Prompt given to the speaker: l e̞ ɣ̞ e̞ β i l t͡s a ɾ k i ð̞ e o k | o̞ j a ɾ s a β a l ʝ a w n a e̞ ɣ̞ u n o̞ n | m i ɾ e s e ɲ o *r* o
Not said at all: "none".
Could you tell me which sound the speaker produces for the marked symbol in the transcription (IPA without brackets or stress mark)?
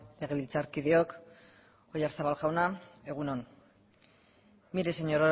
ɾ